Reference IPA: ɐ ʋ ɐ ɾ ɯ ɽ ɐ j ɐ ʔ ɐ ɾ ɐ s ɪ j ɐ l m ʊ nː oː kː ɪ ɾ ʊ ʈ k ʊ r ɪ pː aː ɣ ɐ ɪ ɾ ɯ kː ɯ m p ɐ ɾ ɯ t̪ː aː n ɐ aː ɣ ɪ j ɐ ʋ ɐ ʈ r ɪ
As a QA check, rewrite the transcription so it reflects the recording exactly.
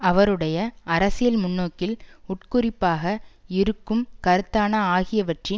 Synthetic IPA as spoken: ɐ ʋ ɐ ɾ ɯ ɽ ɐ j ɐ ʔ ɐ ɾ ɐ s ɪ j ɐ l m ʊ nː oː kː ɪ l ʊ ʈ k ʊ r ɪ pː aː ɣ ɐ ɪ ɾ ɯ kː ɯ m k ɐ ɾ ɯ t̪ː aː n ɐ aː ɣ ɪ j ɐ ʋ ɐ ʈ r ɪ